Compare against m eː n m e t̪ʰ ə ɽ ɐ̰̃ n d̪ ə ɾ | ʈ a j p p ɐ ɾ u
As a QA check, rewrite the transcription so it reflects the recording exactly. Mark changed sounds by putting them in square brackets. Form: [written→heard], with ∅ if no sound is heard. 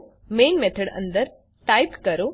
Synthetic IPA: m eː n m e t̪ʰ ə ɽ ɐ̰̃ n d̪ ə ɾ | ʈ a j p [p→k] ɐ ɾ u

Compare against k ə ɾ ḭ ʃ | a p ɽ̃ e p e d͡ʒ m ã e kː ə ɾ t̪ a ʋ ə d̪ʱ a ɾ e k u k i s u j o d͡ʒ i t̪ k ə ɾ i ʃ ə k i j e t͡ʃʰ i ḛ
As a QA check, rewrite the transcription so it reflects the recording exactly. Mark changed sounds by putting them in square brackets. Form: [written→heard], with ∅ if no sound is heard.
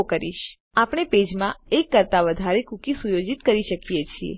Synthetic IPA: k ə ɾ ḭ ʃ | a p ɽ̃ e p e d͡ʒ m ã e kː ə ɾ t̪ a ʋ ə d̪ʱ a ɾ e k u k i s u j o d͡ʒ i t̪ k ə ɾ i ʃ ə k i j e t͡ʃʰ i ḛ

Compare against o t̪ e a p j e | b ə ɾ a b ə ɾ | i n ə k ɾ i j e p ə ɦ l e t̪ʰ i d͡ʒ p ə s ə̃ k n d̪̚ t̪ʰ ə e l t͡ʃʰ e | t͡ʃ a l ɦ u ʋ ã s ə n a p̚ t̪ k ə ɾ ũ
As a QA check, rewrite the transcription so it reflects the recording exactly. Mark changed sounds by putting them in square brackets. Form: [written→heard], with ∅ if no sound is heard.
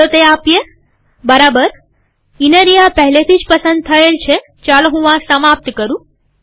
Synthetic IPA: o t̪ e a p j e | b ə ɾ a b ə ɾ | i n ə [k→∅] ɾ i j [e→a] p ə ɦ l e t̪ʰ i d͡ʒ p ə s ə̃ [k→∅] n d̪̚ t̪ʰ ə e l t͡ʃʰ e | t͡ʃ a l ɦ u ʋ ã s ə [n→m] a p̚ t̪ k ə ɾ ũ

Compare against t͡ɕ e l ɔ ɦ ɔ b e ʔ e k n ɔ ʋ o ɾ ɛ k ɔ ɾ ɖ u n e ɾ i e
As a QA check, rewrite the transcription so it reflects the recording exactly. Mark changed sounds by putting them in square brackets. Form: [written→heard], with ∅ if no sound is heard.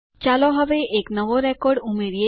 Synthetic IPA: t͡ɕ [e→a] l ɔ ɦ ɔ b e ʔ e k n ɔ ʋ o ɾ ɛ k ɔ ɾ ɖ u [n→m] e ɾ i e

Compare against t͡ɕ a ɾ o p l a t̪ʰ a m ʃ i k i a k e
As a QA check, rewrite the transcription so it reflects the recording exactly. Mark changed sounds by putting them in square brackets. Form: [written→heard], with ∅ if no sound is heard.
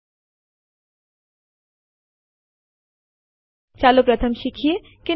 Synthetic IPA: t͡ɕ a [ɾ→l] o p [l→ɾ] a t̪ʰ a m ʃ i [k→kʰ] i [a→e] k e

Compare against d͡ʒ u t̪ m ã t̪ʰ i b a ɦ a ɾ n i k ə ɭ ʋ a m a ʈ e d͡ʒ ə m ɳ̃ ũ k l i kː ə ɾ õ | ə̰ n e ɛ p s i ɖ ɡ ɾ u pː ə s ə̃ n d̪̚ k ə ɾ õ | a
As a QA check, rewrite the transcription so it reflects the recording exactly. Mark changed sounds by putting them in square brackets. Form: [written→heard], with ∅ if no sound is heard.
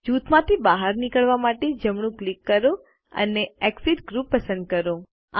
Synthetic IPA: d͡ʒ u t̪ m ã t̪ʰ i b a ɦ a ɾ n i k ə ɭ ʋ a m a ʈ e d͡ʒ ə m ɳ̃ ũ k l i kː ə ɾ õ | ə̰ n e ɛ [p→k] s i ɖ ɡ ɾ u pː ə s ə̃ n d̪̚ k ə ɾ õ | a

